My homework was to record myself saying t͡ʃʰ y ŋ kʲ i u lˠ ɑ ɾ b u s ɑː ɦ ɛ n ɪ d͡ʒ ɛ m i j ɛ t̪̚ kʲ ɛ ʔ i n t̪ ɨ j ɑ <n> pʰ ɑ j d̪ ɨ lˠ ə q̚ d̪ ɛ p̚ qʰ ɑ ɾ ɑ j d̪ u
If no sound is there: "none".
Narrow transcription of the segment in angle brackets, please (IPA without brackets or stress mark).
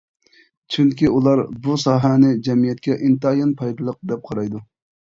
n